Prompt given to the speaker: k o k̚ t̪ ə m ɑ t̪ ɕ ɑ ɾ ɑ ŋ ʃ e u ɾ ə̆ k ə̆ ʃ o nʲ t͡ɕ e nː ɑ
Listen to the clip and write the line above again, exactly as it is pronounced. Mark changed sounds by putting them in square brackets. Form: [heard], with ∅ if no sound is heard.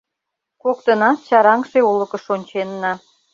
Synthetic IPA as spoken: k o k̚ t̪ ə [n] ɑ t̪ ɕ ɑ ɾ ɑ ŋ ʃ e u [l] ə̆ k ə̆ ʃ o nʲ t͡ɕ e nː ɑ